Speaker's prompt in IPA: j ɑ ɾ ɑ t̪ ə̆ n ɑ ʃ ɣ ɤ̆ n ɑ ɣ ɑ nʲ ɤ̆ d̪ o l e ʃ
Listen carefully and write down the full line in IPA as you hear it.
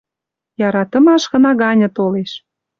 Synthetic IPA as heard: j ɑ ɾ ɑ t̪ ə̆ m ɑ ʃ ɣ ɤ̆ n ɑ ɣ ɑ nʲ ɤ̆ t̪ o l e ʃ